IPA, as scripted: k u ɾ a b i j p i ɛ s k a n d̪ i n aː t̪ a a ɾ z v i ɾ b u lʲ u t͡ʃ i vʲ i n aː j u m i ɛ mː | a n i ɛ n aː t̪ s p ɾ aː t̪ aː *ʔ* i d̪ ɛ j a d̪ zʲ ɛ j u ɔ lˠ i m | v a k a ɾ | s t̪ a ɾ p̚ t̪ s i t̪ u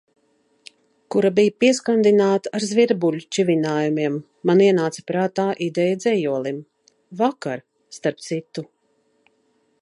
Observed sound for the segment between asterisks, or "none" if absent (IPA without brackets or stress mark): ʔ